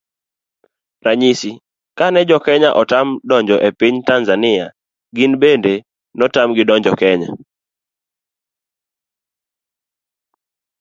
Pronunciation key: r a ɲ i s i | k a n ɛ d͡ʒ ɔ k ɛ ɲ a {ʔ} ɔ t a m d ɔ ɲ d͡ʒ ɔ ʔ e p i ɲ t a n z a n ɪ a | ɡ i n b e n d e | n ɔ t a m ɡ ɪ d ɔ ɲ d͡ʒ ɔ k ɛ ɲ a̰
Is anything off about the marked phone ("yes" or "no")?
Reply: no